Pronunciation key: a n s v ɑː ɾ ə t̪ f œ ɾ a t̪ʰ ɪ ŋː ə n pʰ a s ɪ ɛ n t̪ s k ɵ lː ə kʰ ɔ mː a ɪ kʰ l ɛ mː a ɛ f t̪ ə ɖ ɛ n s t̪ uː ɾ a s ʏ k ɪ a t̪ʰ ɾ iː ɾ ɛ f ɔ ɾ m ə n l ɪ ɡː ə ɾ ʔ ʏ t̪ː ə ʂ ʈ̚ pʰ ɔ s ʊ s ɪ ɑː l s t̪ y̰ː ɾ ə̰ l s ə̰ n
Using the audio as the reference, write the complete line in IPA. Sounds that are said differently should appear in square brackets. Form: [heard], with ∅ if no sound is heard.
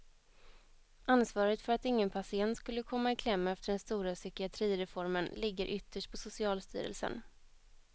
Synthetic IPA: a n s v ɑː ɾ ə t̪ f œ ɾ a [t̪] ɪ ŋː ə n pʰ a s ɪ ɛ n t̪ s k ɵ lː ə kʰ ɔ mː a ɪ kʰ l ɛ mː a ɛ f t̪ ə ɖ ɛ n s t̪ uː ɾ a s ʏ k ɪ a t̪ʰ ɾ iː ɾ ɛ f ɔ ɾ m ə n l ɪ ɡː ə ɾ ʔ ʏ t̪ː ə ʂ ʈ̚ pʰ ɔ s ʊ s ɪ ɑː l s t̪ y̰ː ɾ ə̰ l s ə̰ n

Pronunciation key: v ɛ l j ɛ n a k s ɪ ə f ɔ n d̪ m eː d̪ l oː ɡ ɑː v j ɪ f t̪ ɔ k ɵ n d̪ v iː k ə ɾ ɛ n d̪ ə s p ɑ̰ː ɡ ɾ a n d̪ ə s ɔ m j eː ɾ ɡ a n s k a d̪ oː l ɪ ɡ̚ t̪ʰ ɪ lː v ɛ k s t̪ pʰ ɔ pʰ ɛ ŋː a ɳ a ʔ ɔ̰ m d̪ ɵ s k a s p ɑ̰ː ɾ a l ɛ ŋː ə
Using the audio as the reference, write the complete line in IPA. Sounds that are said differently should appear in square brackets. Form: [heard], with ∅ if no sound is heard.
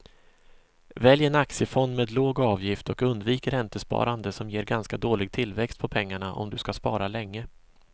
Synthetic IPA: v ɛ l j ɛ n a k s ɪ ə f ɔ n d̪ m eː d̪ l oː ɡ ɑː v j ɪ f t̪ ɔ k ɵ n d̪ v iː k ə ɾ ɛ n [t̪] ə s p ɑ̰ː [∅] ɾ a n d̪ ə s ɔ m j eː ɾ ɡ a n s k a d̪ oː l ɪ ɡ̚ t̪ʰ ɪ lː v ɛ k s t̪ pʰ ɔ pʰ ɛ ŋː a ɳ a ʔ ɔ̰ m d̪ ɵ s k a s p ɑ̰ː ɾ a l ɛ ŋː ə

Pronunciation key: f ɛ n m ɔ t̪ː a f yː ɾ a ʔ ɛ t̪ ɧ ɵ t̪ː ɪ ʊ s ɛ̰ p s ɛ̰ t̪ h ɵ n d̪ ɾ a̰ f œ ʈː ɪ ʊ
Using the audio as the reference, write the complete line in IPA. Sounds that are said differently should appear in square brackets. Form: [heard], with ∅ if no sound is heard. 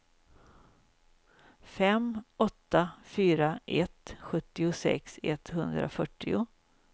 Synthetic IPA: f ɛ [∅] m ɔ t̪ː a f yː ɾ a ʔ ɛ t̪ ɧ ɵ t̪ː ɪ ʊ s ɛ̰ [k] s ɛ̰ t̪ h ɵ n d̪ ɾ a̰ f œ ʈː ɪ ʊ

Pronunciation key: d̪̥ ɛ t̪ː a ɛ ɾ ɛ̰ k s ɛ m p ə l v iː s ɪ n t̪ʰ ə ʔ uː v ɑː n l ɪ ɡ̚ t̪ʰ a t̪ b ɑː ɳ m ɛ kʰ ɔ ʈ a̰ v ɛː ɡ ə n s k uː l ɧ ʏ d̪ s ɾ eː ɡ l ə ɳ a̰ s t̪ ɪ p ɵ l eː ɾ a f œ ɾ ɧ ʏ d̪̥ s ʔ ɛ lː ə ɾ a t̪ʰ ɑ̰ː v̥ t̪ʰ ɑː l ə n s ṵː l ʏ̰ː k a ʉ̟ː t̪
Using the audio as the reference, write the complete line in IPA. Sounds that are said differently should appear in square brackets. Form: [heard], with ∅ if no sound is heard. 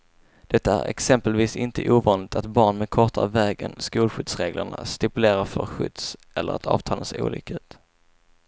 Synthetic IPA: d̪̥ ɛ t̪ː a [æ] ɾ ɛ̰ k s ɛ m p ə l v iː s ɪ n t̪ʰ ə ʔ uː v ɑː n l ɪ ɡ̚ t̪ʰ a t̪ b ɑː ɳ m ɛ kʰ ɔ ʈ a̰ v ɛː ɡ ə n s k uː l ɧ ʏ d̪ s ɾ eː ɡ l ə ɳ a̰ s t̪ ɪ p ɵ l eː ɾ a f œ ɾ ɧ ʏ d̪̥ s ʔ ɛ lː ə ɾ a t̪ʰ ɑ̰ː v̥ t̪ʰ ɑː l ə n s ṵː l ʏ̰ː k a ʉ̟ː t̪

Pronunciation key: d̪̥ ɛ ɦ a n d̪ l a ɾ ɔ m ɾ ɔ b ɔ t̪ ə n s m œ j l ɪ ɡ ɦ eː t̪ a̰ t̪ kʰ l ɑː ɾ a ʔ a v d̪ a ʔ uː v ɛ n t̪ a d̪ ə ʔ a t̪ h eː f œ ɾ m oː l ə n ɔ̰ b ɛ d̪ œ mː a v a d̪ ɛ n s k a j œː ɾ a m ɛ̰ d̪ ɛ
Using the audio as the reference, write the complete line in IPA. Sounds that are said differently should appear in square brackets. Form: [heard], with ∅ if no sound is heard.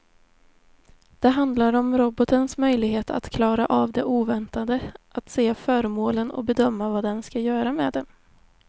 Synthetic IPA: d̪̥ ɛ ɦ a n d̪ l a ɾ ɔ m ɾ ɔ b ɔ t̪ ə n s m œ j l ɪ ɡ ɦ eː t̪ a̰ t̪ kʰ l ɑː ɾ a ʔ a v d̪ [ɛ] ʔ uː v ɛ n t̪ a d̪ ə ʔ a t̪ [s] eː f œ ɾ m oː l ə n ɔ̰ b ɛ d̪ œ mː a v a d̪ ɛ n s k a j œː ɾ a m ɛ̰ d̪ ɛ

